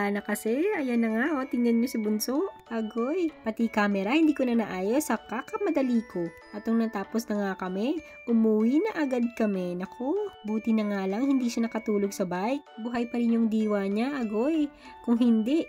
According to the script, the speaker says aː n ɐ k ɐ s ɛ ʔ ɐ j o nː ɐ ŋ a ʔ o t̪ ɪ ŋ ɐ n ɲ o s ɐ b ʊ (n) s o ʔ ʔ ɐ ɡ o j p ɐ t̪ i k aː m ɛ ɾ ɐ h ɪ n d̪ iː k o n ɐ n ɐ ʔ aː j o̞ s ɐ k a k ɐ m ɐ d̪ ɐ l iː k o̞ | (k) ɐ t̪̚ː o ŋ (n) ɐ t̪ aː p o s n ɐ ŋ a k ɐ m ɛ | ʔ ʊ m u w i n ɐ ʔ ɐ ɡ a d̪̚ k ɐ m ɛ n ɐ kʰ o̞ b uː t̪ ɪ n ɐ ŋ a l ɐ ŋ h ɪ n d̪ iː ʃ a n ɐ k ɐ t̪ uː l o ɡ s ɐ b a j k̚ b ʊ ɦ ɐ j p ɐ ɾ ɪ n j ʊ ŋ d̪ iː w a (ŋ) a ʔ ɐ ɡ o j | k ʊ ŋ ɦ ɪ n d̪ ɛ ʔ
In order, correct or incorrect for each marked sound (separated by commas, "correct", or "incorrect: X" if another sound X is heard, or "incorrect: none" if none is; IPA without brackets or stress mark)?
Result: correct, incorrect: ʔ, correct, incorrect: ɲ